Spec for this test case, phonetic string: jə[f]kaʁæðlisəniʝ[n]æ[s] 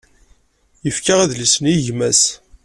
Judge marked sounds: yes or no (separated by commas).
yes, no, yes